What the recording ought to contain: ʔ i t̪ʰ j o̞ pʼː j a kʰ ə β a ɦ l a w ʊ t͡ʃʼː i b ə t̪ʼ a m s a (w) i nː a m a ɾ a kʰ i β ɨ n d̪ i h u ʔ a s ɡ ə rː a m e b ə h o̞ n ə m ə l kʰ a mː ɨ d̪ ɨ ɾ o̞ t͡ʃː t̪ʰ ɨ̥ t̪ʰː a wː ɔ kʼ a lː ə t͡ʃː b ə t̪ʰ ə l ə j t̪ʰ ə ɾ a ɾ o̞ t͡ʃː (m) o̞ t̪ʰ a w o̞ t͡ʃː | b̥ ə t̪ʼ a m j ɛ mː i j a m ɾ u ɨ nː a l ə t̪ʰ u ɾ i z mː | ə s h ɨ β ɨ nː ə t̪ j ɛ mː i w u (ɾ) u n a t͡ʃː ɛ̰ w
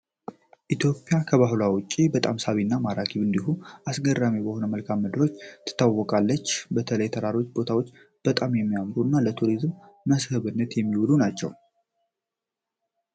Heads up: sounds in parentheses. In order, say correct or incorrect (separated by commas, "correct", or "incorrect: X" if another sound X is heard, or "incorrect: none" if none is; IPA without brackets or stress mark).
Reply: incorrect: β, incorrect: b, incorrect: l